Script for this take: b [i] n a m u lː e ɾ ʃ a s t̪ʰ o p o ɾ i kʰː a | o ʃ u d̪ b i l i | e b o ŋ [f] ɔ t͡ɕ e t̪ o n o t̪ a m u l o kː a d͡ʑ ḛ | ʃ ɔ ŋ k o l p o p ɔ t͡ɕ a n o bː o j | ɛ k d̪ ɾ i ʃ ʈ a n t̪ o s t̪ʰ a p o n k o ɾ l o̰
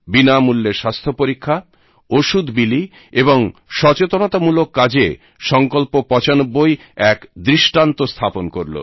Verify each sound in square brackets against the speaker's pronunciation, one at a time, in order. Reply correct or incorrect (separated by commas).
correct, incorrect